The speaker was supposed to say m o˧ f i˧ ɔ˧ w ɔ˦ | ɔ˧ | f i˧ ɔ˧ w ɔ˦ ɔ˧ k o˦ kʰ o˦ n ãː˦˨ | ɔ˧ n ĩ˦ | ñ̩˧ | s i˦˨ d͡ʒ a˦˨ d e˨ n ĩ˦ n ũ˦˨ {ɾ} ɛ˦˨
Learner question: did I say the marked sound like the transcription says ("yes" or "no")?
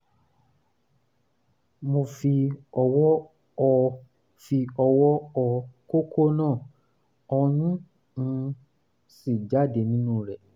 yes